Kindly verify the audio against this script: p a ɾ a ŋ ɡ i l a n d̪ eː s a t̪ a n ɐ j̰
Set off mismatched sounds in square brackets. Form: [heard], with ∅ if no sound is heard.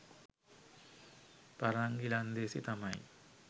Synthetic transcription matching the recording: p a ɾ a ŋ ɡ i l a n d̪ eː s [i] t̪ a [m] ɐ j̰